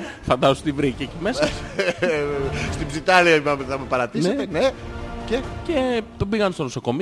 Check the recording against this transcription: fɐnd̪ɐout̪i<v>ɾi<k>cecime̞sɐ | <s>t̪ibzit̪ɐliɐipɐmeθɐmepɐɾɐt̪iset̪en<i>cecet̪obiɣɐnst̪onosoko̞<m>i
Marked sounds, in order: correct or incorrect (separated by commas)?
correct, incorrect, correct, incorrect, correct